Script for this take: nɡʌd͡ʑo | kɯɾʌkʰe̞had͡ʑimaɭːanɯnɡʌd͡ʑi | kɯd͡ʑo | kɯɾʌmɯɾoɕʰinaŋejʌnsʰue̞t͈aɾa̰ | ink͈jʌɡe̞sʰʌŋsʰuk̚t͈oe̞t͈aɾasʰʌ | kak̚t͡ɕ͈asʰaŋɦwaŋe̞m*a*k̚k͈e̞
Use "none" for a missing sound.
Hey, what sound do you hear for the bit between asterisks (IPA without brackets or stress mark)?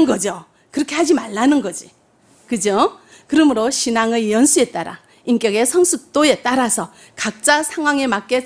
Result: a